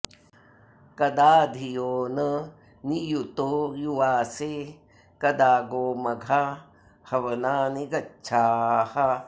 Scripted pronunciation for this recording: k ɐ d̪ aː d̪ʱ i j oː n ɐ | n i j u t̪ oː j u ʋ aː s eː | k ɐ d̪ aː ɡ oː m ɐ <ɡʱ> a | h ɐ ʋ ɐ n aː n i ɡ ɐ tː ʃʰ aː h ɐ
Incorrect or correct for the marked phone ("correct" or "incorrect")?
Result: correct